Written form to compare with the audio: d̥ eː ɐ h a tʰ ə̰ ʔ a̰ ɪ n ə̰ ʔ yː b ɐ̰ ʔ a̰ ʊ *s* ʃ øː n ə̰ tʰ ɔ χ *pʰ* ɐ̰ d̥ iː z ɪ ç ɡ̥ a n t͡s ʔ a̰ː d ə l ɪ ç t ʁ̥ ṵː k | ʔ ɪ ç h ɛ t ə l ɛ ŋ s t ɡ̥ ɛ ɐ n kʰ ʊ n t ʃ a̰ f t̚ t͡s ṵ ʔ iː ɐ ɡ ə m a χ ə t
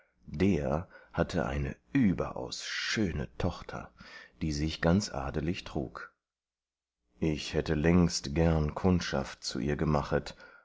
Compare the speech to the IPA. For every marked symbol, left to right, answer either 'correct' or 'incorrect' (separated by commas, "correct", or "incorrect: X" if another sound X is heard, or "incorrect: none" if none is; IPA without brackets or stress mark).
correct, incorrect: tʰ